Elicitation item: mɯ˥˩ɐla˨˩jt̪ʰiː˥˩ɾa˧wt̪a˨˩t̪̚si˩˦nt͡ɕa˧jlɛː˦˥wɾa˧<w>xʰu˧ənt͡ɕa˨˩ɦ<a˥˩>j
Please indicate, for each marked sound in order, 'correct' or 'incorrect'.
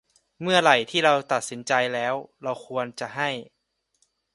correct, correct

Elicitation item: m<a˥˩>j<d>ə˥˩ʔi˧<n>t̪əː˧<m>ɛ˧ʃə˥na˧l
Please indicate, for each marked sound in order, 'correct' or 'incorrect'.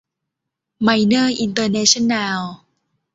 incorrect: a˧, incorrect: n, correct, incorrect: n

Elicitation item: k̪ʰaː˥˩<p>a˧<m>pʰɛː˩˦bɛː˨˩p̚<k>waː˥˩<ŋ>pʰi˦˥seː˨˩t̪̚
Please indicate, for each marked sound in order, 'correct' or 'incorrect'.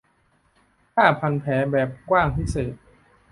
incorrect: pʰ, incorrect: n, correct, correct

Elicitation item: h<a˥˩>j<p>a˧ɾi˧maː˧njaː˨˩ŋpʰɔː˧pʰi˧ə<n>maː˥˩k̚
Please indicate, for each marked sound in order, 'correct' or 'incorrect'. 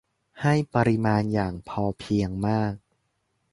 correct, correct, incorrect: ŋ

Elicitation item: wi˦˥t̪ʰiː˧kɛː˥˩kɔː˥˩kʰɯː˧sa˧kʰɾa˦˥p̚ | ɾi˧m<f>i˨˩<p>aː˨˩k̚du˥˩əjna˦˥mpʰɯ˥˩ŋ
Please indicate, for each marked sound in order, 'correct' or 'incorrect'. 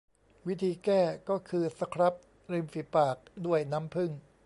correct, correct

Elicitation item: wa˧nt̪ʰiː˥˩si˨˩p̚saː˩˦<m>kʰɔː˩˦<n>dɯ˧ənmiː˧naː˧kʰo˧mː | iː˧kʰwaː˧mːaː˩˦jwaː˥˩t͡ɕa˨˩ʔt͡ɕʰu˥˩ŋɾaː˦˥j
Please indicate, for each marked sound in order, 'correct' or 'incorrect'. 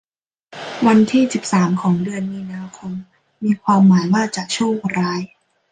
correct, incorrect: ŋ

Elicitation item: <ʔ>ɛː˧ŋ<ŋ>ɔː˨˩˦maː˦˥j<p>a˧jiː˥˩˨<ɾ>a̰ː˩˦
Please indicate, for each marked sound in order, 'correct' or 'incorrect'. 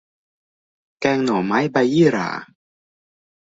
incorrect: k, incorrect: n, incorrect: b, correct

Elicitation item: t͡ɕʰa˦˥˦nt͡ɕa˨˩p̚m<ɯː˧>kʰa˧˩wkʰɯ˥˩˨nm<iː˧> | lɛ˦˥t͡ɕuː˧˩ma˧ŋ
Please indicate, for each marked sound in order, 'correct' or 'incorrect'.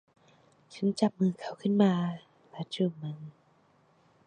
correct, incorrect: aː˧

